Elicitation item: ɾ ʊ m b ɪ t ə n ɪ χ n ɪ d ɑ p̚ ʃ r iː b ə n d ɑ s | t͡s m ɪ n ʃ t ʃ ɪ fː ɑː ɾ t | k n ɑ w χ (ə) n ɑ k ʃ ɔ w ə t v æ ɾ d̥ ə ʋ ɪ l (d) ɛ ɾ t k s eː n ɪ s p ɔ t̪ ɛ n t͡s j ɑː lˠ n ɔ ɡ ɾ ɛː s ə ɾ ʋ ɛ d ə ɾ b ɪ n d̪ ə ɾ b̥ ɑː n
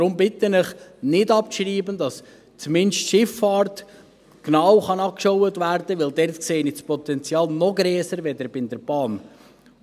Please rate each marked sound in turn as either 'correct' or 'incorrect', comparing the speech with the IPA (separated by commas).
incorrect, correct